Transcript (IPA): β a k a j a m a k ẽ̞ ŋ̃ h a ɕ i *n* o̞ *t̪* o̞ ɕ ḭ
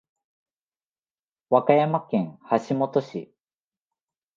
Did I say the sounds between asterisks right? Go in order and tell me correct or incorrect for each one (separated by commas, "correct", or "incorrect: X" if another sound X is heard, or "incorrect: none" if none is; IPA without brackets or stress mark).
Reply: incorrect: m, correct